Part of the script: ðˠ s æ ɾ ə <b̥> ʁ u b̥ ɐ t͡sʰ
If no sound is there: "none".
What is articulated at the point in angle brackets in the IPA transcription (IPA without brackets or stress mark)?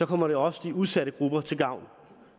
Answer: ɡ̥